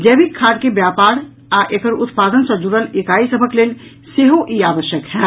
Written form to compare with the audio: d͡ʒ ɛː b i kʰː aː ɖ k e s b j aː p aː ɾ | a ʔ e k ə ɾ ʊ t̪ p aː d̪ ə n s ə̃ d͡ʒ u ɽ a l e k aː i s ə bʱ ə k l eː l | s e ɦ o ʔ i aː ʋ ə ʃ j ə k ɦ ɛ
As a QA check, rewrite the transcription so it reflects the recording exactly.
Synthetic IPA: d͡ʒ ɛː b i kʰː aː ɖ k e b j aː p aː ɾ | a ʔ e k ə ɾ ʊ t̪ p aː d̪ ə n s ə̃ d͡ʒ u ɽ ə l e k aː i s ə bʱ ə k l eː l | s e ɦ o ʔ i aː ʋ ə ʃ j ə k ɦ ɛ